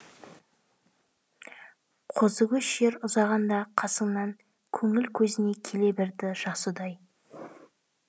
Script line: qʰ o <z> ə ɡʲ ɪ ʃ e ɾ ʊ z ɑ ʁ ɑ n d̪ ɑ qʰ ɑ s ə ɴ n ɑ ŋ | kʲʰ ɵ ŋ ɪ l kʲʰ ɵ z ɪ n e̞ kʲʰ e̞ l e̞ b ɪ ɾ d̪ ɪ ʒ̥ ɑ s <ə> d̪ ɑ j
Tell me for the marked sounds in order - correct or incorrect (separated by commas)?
correct, correct